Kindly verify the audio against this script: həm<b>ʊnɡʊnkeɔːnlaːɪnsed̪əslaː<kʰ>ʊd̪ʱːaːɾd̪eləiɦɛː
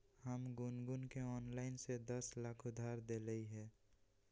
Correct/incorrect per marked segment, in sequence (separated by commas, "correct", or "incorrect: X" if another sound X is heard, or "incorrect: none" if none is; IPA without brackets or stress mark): incorrect: ɡ, correct